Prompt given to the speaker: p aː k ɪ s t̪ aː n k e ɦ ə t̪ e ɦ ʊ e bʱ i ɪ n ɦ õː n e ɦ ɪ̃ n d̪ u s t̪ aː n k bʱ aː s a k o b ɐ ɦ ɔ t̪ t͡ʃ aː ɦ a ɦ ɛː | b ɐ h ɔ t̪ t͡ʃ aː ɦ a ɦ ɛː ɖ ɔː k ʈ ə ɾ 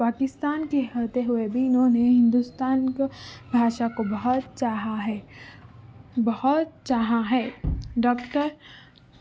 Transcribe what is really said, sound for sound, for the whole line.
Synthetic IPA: p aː k ɪ s t̪ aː n k e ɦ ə t̪ e ɦ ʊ e bʱ i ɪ n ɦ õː n e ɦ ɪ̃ n d̪ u s t̪ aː n k bʱ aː ʃ a k o b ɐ ɦ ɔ t̪ t͡ʃ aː ɦ a ɦ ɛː | b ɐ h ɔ t̪ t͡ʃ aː ɦ a ɦ ɛː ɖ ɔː k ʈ ə ɾ